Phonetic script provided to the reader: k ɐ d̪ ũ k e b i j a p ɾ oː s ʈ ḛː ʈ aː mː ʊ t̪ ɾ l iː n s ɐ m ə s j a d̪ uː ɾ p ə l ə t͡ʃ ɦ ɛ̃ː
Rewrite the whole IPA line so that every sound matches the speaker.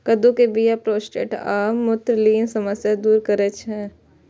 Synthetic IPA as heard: k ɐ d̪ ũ k e b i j a p ɾ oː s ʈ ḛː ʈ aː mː ʊ t̪ ɾ l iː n s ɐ m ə s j a d̪ uː ɾ k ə ɾ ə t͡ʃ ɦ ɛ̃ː